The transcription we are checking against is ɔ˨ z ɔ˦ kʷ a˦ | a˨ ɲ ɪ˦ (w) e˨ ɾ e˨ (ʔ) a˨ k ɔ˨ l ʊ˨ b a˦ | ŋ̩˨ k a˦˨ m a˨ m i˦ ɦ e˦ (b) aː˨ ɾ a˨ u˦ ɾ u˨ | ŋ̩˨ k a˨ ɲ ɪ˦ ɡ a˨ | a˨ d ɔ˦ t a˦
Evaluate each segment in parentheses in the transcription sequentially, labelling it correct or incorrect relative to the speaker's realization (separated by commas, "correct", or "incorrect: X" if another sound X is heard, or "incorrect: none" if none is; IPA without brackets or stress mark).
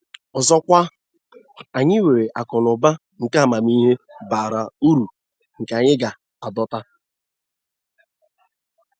correct, correct, correct